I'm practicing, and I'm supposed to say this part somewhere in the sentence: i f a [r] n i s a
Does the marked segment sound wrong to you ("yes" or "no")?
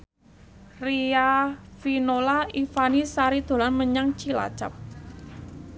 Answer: yes